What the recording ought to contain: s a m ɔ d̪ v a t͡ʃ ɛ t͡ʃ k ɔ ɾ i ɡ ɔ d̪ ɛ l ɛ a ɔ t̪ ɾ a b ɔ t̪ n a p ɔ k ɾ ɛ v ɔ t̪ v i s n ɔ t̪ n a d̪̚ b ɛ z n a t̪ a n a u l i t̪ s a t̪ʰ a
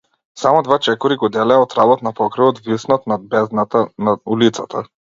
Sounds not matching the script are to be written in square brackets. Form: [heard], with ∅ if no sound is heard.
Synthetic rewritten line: s a m ɔ d̪ v a t͡ʃ ɛ [∅] k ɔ ɾ i ɡ ɔ d̪ ɛ l ɛ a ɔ t̪ ɾ a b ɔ t̪ n a p ɔ k ɾ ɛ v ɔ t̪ v i s n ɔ t̪ n a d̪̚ b ɛ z n a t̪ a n a u l i t̪ s a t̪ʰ a